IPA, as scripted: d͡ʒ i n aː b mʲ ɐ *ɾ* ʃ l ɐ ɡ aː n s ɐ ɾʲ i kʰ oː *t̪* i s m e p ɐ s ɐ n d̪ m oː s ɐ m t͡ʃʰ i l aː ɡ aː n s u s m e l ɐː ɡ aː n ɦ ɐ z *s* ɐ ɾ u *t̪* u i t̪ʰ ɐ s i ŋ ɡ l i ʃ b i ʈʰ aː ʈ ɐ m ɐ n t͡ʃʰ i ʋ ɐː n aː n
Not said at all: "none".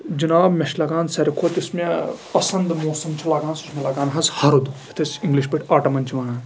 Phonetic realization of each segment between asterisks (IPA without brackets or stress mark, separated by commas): none, t̪, h, d̪